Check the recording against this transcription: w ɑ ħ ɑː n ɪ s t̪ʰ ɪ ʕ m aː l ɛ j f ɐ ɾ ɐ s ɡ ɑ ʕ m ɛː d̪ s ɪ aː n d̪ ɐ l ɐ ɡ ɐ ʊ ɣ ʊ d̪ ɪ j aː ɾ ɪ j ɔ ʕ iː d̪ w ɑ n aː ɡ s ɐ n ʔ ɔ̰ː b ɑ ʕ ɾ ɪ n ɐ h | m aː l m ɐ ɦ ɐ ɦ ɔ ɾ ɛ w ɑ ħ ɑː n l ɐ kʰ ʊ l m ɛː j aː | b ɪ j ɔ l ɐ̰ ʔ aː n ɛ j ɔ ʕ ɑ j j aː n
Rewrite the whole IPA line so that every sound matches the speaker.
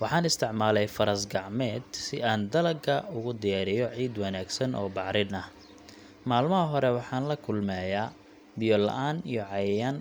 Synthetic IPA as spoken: w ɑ ħ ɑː n ɪ s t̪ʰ ɪ ʕ m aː l ɛ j f ɐ ɾ ɐ s ɡ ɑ ʕ m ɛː d̪ s ɪ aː n d̪ ɐ l ɐ ɡ ɐ ʊ ɣ ʊ d̪ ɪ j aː ɾ ɪ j ɔ ʕ iː d̪ w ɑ n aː ɡ s ɐ n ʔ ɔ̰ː b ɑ ʕ ɾ ɪ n ɐ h | m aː l m ɐ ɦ ɐ ɦ ɔ ɾ ɛ w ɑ ħ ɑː n l ɐ kʰ ʊ l m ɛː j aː | b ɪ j ɔ l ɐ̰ ʔ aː n i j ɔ ʕ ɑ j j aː n